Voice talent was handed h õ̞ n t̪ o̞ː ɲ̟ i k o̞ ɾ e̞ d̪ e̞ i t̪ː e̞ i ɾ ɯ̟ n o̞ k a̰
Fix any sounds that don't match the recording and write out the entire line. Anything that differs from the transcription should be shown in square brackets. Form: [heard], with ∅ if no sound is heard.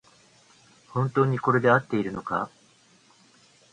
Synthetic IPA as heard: h õ̞ n t̪ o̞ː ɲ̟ i k o̞ ɾ e̞ d̪ e̞ [a] t̪ː e̞ i ɾ ɯ̟ n o̞ k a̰